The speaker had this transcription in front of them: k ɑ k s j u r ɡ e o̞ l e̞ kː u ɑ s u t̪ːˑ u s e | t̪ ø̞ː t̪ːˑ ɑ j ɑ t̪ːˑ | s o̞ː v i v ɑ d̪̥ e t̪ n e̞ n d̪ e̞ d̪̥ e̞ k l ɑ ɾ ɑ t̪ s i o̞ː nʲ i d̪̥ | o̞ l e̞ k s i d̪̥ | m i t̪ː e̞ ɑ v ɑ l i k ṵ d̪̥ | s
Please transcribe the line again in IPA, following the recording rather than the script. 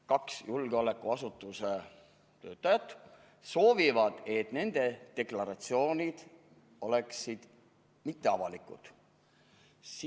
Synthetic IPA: k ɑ k s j u l ɡ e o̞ l e̞ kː u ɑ s u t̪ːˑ u s e | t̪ ø̞ː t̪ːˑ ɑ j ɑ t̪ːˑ | s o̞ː v i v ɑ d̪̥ e t̪ n e̞ n d̪ e̞ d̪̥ e̞ k l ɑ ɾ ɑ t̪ s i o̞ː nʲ i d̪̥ | o̞ l e̞ k s i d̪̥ | m i t̪ː e̞ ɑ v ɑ l i k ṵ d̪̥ | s